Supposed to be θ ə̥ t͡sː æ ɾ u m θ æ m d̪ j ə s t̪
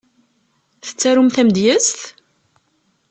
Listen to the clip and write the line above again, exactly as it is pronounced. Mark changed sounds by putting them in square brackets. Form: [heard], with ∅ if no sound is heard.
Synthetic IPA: θ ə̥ t͡sː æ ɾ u m θ æ m d̪ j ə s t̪